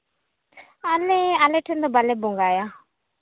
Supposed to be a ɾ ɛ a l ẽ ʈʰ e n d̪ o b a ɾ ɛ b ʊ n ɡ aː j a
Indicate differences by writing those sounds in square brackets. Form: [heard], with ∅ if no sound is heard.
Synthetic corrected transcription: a [l] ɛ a l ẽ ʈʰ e n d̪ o b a [l] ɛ b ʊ [ŋ] ɡ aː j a